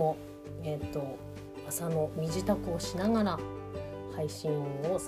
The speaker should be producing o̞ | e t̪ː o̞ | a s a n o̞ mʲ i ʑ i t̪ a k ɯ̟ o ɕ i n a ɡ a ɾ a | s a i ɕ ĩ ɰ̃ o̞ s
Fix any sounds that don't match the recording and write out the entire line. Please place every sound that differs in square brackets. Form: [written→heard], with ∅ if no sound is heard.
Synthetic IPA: o̞ | e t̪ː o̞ | a s a n o̞ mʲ i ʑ i t̪ a k ɯ̟ o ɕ i n a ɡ a ɾ a | [s→h] a i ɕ ĩ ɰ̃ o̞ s